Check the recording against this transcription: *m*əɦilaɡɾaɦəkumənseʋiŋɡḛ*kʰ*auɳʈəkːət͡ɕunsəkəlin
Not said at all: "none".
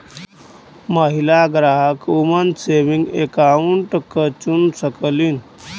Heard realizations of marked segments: m, k

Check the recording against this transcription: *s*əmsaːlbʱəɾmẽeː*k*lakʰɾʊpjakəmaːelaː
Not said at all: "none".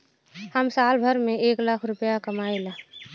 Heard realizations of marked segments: h, k

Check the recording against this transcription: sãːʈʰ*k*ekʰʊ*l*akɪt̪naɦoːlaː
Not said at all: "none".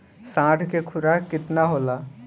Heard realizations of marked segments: k, ɾ

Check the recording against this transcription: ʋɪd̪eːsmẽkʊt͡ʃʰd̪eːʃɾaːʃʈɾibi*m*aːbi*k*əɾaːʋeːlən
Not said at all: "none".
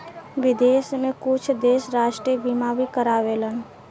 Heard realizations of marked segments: m, k

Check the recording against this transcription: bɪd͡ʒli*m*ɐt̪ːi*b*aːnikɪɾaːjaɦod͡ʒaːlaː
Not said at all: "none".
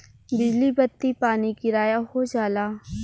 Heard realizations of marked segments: b, p

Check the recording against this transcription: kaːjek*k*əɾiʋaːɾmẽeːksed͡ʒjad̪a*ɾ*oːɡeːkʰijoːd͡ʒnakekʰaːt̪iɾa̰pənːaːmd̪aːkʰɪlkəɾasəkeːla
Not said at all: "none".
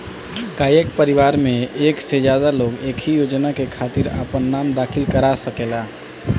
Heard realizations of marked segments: p, l

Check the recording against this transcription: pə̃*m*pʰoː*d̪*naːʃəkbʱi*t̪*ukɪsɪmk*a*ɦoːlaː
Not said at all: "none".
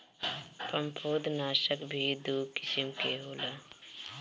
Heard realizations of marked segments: m, d̪, d̪, e

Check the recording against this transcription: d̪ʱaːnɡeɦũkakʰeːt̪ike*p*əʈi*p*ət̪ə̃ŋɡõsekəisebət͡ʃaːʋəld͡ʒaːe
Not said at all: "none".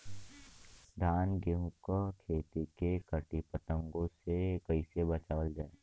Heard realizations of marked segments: k, p

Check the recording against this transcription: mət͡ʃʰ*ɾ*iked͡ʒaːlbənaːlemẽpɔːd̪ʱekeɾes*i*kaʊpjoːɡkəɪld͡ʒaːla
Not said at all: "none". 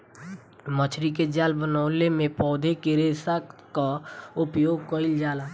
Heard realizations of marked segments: ɾ, a

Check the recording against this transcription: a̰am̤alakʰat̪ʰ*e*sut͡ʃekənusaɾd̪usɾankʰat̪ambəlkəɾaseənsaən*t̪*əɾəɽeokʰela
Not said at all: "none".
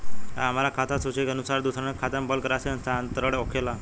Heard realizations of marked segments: a, t̪

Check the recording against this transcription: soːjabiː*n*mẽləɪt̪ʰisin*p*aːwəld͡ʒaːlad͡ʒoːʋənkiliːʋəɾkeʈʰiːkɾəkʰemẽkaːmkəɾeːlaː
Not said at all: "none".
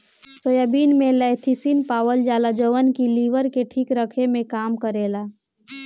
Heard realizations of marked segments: n, p

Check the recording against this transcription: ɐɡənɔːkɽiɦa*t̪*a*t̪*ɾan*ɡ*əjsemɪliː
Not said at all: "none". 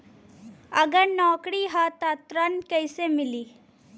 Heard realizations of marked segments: t̪, t̪, k

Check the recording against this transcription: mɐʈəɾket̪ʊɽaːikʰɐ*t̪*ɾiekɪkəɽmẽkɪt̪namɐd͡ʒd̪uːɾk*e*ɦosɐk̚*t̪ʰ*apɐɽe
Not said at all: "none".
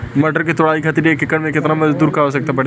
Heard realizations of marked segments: t̪, a, t̪

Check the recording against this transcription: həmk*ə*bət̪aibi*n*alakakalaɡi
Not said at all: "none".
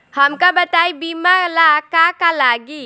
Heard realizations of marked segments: a, m

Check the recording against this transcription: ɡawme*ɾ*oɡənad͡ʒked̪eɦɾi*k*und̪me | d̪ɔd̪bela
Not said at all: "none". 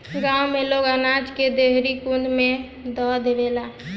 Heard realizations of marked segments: l, k

